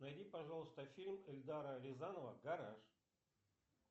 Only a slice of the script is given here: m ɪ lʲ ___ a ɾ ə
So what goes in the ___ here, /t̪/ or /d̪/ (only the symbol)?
d̪